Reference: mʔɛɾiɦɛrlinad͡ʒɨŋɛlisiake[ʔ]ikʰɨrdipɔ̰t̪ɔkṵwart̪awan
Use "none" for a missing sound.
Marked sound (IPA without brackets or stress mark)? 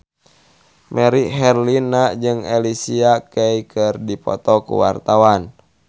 none